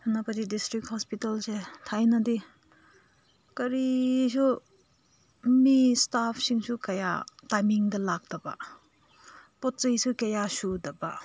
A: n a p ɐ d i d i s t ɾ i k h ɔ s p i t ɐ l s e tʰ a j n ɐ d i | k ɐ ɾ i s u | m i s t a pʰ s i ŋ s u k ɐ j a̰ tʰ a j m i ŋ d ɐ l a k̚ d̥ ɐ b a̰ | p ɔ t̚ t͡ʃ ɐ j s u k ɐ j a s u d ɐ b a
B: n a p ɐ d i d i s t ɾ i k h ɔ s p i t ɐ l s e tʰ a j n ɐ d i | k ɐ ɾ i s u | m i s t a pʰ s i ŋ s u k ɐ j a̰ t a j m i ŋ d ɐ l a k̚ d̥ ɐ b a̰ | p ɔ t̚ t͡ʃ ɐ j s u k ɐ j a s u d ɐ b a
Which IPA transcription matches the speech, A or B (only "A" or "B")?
B